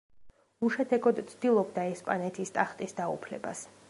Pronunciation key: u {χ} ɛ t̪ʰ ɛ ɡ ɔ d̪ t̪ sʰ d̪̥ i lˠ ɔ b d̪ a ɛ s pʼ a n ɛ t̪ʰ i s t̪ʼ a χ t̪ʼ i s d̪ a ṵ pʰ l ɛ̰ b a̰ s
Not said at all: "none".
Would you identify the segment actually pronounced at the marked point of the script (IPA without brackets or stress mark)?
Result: ʃ